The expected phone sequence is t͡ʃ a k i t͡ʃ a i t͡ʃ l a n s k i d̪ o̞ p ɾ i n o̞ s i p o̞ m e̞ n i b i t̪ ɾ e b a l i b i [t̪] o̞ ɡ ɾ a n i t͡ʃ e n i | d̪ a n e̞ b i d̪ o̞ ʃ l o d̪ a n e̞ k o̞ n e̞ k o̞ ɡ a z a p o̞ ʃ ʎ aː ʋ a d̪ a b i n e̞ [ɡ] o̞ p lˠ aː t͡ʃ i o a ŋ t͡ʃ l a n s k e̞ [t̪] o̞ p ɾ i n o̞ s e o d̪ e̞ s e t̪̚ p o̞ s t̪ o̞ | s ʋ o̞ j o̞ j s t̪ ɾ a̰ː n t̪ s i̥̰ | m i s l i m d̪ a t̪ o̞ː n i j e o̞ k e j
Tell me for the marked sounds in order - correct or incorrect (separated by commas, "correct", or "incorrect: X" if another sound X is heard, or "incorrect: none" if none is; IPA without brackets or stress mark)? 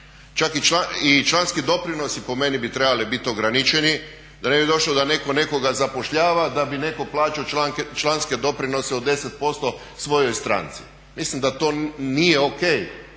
correct, incorrect: k, incorrect: d̪